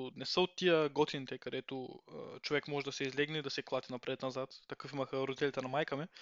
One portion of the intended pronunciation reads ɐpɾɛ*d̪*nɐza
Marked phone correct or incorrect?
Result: incorrect